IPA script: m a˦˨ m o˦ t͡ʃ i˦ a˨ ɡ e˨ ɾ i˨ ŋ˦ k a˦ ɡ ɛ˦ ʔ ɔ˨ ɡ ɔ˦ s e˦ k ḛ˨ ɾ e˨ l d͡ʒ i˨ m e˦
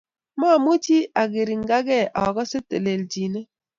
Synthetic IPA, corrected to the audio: m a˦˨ m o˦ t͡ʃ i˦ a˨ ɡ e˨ ɾ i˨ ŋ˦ ɡ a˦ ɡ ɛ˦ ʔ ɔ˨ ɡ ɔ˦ s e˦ t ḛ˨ l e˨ l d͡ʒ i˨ n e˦